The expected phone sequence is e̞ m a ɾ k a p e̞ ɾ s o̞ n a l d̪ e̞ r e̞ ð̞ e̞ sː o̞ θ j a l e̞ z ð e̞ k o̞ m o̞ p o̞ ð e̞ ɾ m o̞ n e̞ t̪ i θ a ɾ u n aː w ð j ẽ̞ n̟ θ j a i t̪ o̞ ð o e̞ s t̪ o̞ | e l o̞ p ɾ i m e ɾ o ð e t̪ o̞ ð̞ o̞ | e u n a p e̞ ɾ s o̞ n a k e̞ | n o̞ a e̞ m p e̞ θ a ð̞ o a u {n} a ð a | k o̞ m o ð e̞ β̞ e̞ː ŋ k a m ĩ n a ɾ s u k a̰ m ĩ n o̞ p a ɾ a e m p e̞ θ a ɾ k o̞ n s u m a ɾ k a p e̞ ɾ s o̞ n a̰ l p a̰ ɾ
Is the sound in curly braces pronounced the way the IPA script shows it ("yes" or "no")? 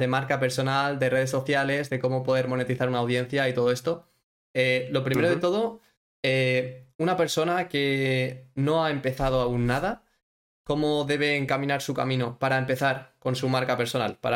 no